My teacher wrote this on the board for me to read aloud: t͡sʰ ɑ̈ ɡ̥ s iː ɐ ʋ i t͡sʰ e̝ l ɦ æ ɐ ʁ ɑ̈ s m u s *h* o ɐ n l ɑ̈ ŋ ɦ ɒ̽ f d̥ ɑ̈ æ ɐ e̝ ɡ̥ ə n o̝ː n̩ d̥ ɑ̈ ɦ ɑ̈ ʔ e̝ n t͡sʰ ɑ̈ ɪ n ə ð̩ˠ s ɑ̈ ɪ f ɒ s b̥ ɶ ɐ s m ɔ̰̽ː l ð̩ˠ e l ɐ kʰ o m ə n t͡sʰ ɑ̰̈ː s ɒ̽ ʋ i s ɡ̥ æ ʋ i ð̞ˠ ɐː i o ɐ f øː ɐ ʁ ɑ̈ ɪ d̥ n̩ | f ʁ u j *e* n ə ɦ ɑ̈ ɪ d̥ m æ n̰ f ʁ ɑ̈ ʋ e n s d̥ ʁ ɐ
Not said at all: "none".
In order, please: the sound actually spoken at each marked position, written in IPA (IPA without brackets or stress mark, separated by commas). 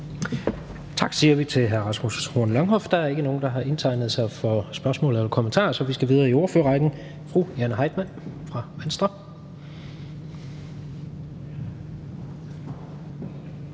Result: h, æ